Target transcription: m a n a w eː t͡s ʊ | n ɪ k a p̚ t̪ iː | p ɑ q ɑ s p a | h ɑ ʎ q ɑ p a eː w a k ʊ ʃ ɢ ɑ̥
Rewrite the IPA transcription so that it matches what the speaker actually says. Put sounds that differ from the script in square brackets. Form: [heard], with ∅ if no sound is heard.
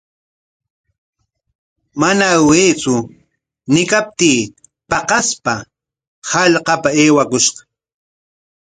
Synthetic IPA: m a n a w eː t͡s ʊ | n ɪ k a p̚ t̪ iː | p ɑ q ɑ s p a | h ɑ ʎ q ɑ p a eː w a k ʊ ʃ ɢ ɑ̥